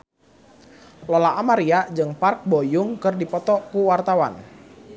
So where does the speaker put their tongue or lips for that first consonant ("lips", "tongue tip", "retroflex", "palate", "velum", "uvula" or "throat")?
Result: tongue tip